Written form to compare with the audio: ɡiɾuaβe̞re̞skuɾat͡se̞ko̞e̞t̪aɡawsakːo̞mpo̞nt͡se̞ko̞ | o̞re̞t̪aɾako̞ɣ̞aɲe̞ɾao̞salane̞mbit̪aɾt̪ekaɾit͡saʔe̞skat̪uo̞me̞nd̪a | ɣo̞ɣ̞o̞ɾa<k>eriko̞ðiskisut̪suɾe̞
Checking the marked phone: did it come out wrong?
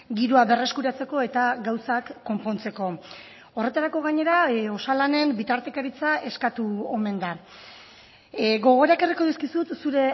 no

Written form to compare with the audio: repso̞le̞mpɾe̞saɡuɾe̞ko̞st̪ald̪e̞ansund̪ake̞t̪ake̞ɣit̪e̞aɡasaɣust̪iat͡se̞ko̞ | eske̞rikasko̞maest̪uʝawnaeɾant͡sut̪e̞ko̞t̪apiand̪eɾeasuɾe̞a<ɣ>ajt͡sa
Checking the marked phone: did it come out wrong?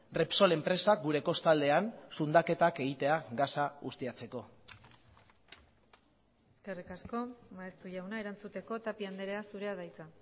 yes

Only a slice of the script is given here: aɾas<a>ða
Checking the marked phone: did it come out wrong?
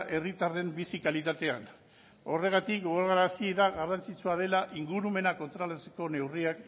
yes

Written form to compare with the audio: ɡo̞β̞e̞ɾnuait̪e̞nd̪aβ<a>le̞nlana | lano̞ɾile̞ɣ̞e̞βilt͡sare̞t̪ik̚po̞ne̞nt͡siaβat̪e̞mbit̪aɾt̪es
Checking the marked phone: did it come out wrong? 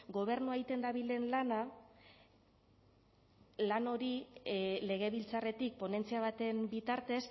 yes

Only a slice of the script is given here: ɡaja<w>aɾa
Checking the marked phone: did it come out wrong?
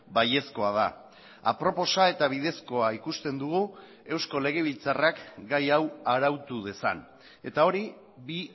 no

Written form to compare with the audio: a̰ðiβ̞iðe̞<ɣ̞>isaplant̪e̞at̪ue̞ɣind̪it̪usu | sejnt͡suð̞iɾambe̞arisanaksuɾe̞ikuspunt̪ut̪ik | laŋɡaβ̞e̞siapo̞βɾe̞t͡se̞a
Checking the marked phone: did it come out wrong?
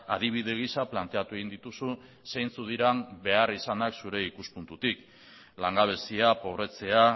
no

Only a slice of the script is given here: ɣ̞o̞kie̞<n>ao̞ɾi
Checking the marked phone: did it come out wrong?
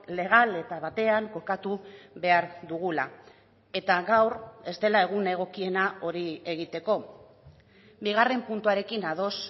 no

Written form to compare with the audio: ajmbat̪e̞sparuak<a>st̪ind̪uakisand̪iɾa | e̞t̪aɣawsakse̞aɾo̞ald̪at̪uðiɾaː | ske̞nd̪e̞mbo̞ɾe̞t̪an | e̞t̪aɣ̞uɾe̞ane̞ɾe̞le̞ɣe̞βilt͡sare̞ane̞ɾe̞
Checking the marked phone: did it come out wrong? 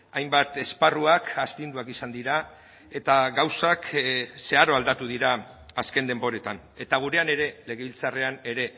no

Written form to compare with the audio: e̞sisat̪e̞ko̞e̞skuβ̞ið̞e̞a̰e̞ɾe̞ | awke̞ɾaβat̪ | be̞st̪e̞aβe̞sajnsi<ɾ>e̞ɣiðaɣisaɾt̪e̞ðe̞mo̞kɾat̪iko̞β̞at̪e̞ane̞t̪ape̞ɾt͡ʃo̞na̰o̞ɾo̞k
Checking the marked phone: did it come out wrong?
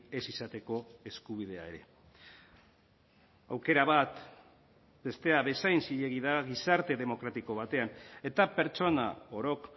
yes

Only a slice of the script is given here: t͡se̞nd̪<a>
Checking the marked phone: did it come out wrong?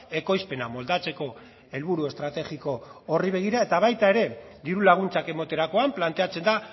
no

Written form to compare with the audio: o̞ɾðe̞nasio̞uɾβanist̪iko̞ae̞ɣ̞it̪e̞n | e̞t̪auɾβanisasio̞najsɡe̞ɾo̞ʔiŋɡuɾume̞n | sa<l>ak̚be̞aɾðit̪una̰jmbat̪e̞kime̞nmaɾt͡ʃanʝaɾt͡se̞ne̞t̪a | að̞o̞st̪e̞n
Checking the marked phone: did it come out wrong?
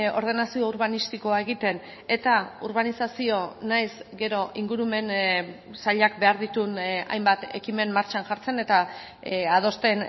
yes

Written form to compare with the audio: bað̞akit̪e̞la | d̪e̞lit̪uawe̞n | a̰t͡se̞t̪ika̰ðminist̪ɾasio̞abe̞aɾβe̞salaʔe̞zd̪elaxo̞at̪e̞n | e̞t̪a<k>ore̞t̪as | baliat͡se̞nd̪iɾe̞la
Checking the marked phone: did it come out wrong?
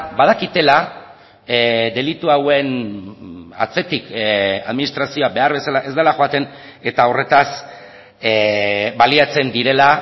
yes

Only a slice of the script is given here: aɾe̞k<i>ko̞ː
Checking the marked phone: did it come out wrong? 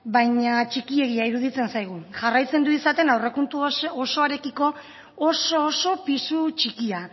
no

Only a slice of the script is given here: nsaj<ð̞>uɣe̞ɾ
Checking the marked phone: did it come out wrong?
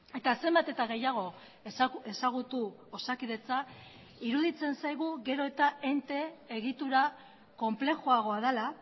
yes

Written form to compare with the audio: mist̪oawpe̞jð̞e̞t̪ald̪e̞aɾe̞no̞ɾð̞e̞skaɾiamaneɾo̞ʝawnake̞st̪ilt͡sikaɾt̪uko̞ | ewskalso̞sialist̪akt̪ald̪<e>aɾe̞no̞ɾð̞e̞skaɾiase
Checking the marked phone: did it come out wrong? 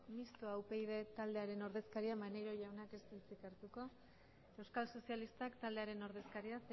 no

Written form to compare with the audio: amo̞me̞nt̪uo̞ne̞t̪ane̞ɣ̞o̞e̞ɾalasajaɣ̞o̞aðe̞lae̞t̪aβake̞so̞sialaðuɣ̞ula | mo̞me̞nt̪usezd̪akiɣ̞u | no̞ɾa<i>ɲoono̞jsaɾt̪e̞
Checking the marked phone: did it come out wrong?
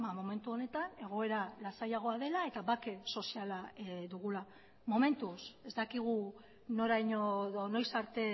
yes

